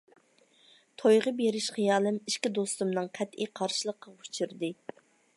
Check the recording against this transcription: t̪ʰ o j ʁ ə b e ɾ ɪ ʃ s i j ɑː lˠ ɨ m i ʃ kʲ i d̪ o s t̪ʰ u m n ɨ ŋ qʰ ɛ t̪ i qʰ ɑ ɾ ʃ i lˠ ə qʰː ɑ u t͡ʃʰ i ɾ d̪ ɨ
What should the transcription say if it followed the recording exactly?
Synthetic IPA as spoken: t̪ʰ o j ʁ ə b e ɾ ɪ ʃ χ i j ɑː lˠ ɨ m i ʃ kʲ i d̪ o s t̪ u m n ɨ ŋ qʰ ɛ t̪ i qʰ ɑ ɾ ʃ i lˠ ə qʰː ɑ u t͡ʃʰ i ɾ d̪ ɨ